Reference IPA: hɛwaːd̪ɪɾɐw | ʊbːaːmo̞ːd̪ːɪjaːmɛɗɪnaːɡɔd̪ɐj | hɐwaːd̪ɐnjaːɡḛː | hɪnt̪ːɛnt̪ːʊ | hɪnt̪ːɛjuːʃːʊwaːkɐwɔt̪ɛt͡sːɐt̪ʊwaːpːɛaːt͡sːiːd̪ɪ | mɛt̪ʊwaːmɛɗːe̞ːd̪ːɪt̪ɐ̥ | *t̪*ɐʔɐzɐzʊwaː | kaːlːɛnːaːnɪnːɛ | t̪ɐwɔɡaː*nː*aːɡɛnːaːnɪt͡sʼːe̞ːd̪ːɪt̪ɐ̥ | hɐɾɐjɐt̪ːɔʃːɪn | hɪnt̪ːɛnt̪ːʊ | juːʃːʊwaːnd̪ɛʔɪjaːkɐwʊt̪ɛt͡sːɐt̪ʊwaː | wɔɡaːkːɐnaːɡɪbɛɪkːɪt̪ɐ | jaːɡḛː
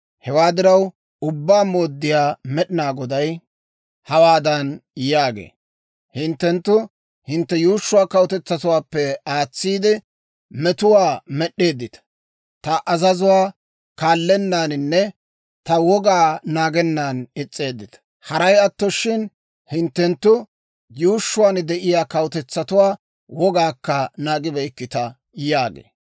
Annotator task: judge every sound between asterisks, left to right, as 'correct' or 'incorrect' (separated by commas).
correct, incorrect